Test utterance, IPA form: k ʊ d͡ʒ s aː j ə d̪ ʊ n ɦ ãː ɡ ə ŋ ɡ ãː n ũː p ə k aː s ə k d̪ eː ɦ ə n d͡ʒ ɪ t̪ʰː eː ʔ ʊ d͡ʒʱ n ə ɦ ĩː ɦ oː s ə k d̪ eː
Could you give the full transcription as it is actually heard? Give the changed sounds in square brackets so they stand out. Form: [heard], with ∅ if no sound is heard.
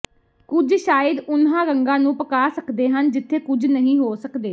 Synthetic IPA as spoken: k ʊ d͡ʒ [ʃ] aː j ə d̪ ʊ n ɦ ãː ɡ ə ŋ ɡ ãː n ũː p ə k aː s ə k d̪ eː ɦ ə n d͡ʒ ɪ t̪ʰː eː [k] ʊ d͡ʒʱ n ə ɦ ĩː ɦ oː s ə k d̪ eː

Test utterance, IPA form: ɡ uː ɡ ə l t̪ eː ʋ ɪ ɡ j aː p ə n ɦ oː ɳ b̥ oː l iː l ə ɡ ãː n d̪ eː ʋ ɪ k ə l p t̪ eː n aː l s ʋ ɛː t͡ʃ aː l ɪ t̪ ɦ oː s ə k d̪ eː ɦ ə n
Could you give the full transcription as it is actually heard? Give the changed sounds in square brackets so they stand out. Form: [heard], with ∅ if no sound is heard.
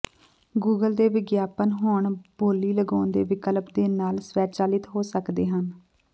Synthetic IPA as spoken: ɡ uː ɡ ə l [d̪] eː ʋ ɪ ɡ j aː p ə n ɦ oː ɳ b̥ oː l iː l ə ɡ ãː n d̪ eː ʋ ɪ k ə l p [d̪] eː n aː l s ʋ ɛː t͡ʃ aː l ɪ t̪ ɦ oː s ə k d̪ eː ɦ ə n

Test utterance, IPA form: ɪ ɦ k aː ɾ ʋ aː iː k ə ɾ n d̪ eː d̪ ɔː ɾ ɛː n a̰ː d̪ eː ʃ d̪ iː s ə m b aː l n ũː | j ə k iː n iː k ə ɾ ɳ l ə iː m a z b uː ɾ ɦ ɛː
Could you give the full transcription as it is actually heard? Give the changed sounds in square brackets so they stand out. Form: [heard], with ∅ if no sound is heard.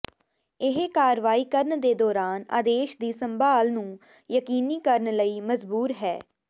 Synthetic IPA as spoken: ɪ ɦ k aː ɾ ʋ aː iː k ə ɾ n d̪ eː d̪ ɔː ɾ [aː] n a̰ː d̪ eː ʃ d̪ iː s ə m b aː l n ũː | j ə k iː n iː k ə ɾ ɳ l ə iː m [ə] z b uː ɾ ɦ ɛː

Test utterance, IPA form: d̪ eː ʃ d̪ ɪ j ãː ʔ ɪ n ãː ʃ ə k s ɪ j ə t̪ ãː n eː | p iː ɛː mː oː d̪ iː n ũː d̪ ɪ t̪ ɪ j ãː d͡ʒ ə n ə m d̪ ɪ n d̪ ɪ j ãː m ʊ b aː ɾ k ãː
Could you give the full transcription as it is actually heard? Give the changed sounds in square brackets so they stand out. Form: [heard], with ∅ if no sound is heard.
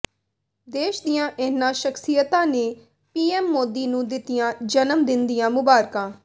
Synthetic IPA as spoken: d̪ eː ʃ d̪ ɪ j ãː ʔ ɪ n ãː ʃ ə k s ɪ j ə t̪ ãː n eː | p iː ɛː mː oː d̪ iː n ũː d̪ ɪ t̪ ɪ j ãː d͡ʒ ə n ə m d̪ ɪ n d̪ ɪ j ãː m ʊ b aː ɾ k ãː

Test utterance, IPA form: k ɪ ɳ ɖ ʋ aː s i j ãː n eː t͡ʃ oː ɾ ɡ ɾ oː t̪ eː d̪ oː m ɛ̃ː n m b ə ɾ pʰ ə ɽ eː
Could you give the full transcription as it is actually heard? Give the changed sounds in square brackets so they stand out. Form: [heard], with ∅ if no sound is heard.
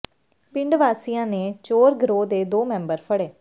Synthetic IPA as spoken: [p] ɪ ɳ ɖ ʋ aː s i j ãː n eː t͡ʃ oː ɾ ɡ ɾ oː [d̪] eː d̪ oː m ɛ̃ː [∅] m b ə ɾ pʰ ə ɽ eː

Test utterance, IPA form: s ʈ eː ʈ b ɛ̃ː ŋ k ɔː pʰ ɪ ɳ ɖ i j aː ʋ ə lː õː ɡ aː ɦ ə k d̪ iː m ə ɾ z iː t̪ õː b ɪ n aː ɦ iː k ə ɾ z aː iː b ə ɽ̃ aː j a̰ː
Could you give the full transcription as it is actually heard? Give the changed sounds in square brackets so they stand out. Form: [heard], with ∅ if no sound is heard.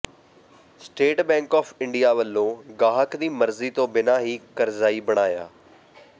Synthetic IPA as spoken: s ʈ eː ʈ b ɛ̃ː ŋ k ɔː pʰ ɪ ɳ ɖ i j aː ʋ ə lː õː ɡ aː ɦ ə k d̪ iː m ə ɾ z iː t̪ õː b ɪ n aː ɦ iː k ə ɾ z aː iː b ə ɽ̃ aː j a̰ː

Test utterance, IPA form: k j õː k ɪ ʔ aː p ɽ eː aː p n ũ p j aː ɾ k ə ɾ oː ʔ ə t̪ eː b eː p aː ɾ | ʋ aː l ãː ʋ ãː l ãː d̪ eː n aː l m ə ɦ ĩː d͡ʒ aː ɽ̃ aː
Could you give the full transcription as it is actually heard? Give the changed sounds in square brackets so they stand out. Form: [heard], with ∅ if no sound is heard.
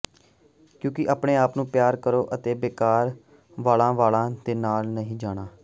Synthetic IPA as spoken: k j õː k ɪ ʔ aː p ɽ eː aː p n [ũː] p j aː ɾ k ə ɾ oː ʔ ə t̪ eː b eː [k] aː ɾ | ʋ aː l ãː ʋ [aː] l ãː d̪ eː n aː l [n] ə ɦ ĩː d͡ʒ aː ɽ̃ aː

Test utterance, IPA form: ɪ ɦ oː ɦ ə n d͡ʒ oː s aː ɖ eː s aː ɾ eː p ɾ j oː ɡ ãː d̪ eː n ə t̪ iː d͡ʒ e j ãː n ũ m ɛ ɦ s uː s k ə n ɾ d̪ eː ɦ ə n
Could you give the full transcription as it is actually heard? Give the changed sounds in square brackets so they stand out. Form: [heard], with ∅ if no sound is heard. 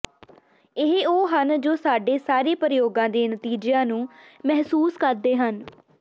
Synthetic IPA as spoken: ɪ ɦ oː ɦ ə n d͡ʒ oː s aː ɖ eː s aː ɾ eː p ɾ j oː ɡ ãː d̪ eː n ə t̪ iː d͡ʒ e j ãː n [ũː] m ɛ ɦ s uː s k ə [∅] ɾ d̪ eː ɦ ə n

